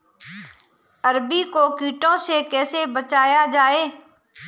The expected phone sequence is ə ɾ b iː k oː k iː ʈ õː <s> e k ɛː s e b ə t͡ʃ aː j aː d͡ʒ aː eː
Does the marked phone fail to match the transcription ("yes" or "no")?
no